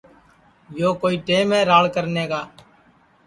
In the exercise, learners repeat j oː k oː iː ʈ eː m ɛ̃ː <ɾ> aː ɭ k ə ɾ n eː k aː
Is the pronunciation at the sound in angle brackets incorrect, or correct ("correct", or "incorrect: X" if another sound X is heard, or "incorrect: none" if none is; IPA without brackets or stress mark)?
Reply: correct